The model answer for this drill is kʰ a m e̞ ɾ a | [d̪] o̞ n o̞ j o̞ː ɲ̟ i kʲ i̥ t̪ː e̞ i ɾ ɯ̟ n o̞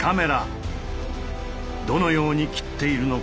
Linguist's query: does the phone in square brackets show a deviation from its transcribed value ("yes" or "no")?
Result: no